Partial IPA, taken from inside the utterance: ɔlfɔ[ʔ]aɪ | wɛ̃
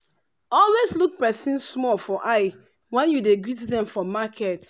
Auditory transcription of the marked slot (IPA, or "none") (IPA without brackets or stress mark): ʔ